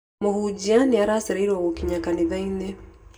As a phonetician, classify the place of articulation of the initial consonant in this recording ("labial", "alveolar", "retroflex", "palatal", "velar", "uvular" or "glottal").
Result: labial